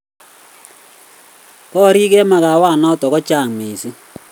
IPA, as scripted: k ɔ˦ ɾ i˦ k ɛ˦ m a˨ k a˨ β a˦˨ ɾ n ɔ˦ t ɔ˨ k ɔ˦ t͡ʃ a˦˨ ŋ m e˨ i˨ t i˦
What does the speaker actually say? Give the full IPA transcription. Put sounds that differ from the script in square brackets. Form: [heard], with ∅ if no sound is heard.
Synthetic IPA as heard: k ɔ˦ ɾ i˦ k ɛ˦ m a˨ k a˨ [w] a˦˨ [∅] n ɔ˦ t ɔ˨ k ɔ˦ t͡ʃ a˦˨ ŋ m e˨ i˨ [s] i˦